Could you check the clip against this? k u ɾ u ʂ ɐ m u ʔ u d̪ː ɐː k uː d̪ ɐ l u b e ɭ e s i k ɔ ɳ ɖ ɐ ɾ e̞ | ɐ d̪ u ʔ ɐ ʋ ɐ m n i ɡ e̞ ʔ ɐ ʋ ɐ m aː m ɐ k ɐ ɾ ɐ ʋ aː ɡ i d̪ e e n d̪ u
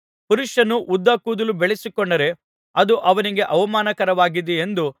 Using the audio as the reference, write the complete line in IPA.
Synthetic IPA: p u ɾ u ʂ ɐ n u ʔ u d̪ː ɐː k uː d̪ ɐ l u b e ɭ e s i k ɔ ɳ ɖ ɐ ɾ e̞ | ɐ d̪ u ʔ ɐ ʋ ɐ n i ɡ e̞ ʔ ɐ ʋ ɐ m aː n ɐ k ɐ ɾ ɐ ʋ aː ɡ i d̪ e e n d̪ u